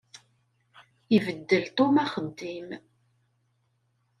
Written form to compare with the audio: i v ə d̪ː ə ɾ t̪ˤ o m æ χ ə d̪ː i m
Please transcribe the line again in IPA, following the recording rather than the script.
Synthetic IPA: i v ə d̪ː ə l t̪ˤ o m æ χ ə d̪ː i m

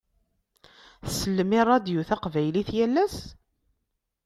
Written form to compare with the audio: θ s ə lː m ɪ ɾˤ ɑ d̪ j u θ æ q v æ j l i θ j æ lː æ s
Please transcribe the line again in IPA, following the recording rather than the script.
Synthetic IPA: θ s ə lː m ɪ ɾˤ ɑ d̪ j u θ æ q v æ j l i θ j æ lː æ s

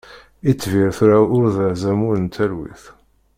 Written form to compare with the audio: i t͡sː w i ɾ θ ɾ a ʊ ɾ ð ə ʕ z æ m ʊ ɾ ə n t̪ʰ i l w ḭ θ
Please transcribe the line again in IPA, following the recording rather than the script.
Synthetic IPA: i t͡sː v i ɾ θ ɾ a ʊ ɾ ð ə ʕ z æ m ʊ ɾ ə n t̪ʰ æ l w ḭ θ

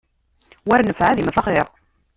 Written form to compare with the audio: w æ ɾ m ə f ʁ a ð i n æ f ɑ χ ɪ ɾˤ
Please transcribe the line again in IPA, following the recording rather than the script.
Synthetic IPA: w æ ɾ n ə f ʕ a ð i m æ f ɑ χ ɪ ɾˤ

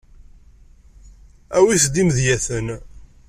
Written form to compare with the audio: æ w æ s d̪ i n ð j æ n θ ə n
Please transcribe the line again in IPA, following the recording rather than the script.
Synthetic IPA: æ w i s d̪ i m ð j æ θ ə n

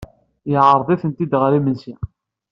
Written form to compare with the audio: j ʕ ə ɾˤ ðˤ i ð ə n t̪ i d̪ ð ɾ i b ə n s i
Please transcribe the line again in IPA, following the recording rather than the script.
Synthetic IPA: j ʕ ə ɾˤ ðˤ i θ ə n t̪ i d̪ ʁ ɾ i m ə n s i

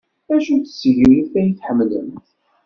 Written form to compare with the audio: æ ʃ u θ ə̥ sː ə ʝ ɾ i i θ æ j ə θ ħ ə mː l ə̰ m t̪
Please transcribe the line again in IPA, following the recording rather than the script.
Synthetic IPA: æ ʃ u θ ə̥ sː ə ʝ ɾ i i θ æ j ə θ ħ ə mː l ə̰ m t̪

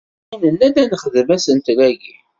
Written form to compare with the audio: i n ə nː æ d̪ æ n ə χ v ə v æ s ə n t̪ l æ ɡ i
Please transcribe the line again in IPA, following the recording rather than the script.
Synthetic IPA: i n ə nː æ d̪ æ n ə χ ð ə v æ s ə n t̪ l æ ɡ i

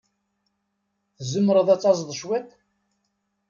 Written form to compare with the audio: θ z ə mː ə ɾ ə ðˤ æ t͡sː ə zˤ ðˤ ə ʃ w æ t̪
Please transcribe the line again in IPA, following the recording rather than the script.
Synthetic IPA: θ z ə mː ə ɾ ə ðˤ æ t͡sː ɑ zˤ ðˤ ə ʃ w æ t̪

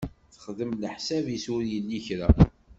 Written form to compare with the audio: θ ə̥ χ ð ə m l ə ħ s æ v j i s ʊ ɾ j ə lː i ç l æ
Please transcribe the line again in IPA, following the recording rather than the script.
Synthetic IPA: θ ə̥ χ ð ə m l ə ħ s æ v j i s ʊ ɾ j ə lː i ç ɾ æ

